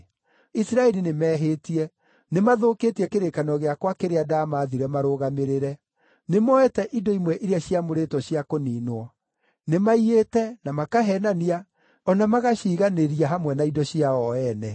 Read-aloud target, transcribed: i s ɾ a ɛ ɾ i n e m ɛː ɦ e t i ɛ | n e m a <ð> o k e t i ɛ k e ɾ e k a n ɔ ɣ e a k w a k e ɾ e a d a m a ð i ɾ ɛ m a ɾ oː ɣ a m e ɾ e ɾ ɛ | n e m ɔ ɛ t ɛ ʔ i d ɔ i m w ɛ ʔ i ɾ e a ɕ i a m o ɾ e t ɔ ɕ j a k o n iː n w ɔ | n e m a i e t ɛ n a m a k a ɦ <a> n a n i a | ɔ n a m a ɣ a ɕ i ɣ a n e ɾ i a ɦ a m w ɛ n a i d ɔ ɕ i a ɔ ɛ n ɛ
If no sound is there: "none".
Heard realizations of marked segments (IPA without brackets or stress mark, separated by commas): ð, ɛ